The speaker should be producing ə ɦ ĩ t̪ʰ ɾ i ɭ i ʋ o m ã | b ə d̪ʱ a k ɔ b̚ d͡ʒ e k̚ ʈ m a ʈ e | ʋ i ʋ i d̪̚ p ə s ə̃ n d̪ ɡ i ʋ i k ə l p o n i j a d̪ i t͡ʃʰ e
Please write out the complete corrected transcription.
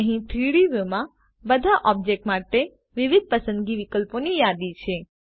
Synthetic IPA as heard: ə ɦ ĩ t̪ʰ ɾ i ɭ i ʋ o m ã | b ə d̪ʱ a ʔ ɔ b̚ d͡ʒ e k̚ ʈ m a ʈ e | ʋ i ʋ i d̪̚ p ə s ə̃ n d̪ ɡ i ʋ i k ə l p o n i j a d̪ i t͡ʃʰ e